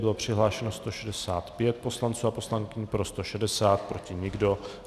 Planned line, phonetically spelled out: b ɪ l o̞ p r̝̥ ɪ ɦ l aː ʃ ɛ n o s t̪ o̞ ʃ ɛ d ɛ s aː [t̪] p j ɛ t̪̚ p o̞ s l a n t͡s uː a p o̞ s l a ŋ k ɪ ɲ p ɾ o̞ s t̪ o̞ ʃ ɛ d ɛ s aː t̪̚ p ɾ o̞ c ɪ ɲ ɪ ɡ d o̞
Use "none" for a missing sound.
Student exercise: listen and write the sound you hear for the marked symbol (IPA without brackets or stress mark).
t̪